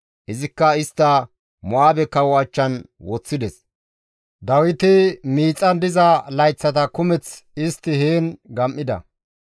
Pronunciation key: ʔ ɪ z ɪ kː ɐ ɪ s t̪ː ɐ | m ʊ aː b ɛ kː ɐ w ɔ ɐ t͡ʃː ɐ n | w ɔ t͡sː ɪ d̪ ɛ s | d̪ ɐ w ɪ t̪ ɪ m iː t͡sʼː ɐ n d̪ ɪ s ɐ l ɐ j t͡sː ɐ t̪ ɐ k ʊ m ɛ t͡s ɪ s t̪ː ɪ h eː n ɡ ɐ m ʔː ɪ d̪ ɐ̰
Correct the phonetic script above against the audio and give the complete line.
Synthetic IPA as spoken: ʔ ɪ z ɪ kː ɐ ɪ s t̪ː ɐ | m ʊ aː b ɛ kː ɐ w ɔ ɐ t͡ʃː ɐ n | w ɔ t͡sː ɪ d̪ ɛ s | d̪ ɐ w ɪ t̪ ɪ m iː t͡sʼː ɐ n d̪ ɪ z ɐ l ɐ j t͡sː ɐ t̪ ɐ k ʊ m ɛ t͡s ɪ s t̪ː ɪ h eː n ɡ ɐ m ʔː ɪ d̪ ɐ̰